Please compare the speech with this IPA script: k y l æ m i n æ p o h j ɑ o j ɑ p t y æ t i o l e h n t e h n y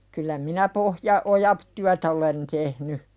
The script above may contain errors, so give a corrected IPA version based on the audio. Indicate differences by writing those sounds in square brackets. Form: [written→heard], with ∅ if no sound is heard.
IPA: k y [l→lː] æ m i n æ p o h j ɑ o j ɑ p t y æ t [i→æ] o l e [h→∅] n t e h n y

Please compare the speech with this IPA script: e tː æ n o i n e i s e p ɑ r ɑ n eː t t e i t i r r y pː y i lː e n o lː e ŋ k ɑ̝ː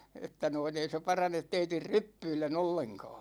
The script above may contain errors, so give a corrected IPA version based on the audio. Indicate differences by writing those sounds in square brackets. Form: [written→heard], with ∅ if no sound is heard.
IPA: e tː æ n o i n e i s e p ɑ r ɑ n [eː→e] t t e i t i r r y pː y i lː e n o lː e ŋ k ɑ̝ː

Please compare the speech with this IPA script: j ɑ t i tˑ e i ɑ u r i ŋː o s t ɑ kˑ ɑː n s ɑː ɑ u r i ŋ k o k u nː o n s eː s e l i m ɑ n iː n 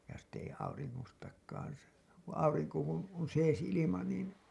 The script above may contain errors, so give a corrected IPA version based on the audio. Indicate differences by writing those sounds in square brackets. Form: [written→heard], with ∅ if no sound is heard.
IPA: j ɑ [t→s] i tˑ e i ɑ u r i ŋː o s t ɑ kˑ ɑː n s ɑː ɑ u r i ŋ k o k u [nː→n] o n s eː s [e→i] l i m ɑ n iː n

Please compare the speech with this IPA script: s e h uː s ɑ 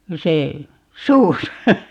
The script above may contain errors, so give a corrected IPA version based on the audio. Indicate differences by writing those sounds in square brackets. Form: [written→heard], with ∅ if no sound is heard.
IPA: s e [h→s] uː s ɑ

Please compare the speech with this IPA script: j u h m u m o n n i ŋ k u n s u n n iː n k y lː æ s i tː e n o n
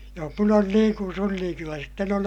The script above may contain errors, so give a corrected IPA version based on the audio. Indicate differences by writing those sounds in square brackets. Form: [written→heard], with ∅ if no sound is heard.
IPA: j [u→o] h m u [m→n] o n n [i→iː] ŋ k u n s u n n iː [n→ŋ] k y lː æ s i tː e n o n

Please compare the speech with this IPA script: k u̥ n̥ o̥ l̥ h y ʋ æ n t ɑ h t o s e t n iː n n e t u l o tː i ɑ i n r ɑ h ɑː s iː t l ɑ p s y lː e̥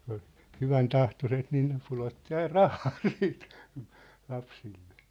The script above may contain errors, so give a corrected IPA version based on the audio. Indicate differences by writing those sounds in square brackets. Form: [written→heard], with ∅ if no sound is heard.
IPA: k u̥ n̥ o̥ l̥ h y ʋ æ n t ɑ h t o s e t n iː n n e [t→p] u l o tː i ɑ i n r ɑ h ɑː s iː t l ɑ p s [y→i] lː e̥

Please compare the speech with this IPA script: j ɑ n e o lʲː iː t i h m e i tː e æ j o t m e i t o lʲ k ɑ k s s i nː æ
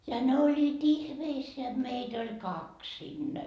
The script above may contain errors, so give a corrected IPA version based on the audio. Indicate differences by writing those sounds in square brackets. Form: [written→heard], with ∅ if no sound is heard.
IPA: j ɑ n e o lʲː iː t i h m e i [tː→sː] e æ j o t m e i t o lʲ k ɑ k s s i nː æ

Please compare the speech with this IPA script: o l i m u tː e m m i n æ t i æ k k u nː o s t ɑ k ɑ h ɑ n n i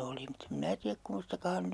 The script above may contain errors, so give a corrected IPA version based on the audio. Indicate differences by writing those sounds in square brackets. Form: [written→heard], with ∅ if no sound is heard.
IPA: o l i m u tː e m m i n æ t i æ k k u [nː→mː] o s t ɑ k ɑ h ɑ n n [i→y]

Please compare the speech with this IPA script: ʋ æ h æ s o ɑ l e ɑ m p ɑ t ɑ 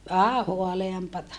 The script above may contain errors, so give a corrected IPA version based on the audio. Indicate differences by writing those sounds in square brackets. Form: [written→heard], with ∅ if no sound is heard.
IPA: ʋ æ h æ [s→h] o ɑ l e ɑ m p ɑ t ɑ

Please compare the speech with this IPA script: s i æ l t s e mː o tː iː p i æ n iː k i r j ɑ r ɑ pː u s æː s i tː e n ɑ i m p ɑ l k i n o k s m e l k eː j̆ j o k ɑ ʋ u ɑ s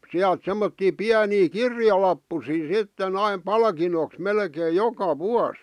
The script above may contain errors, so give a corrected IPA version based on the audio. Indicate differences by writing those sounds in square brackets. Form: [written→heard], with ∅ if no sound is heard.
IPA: s i æ l t s e mː o tː iː p i æ n iː k i r j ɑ [r→l] ɑ pː u s [æː→iː] s i tː e n ɑ i m p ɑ l k i n o k s m e l k eː j̆ j o k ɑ ʋ u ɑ s

